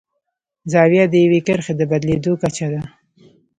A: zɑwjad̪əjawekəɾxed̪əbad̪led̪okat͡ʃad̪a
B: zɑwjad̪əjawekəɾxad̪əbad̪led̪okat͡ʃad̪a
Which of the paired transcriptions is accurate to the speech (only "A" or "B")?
A